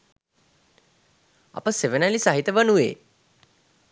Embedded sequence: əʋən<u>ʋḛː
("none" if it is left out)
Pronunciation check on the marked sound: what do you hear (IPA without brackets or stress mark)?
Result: u